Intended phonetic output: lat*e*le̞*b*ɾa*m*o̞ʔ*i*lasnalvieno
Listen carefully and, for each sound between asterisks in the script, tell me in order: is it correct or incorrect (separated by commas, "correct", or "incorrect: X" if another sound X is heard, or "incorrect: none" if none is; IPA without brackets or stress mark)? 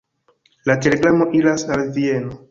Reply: correct, incorrect: ɡ, correct, correct